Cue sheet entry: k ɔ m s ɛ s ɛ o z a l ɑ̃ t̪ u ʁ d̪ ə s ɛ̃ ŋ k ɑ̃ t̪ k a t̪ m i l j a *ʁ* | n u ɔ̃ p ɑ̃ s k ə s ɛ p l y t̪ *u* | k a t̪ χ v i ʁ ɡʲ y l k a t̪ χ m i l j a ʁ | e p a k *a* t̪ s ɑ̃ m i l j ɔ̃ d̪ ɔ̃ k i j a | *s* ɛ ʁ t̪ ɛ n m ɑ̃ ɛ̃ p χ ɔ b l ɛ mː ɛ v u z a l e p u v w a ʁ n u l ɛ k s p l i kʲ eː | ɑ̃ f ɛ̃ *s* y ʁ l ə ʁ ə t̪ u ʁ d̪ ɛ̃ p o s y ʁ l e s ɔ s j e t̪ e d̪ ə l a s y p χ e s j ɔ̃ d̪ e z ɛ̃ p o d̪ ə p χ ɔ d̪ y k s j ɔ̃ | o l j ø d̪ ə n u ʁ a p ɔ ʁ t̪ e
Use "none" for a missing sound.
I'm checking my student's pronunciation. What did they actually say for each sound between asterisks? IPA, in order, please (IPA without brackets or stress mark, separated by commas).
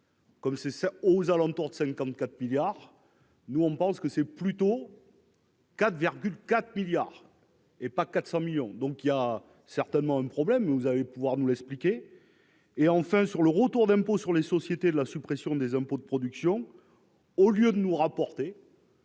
ʁ, o, a, s, s